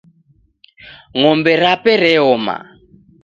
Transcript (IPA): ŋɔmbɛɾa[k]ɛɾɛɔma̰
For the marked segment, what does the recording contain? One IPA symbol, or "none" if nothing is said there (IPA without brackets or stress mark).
p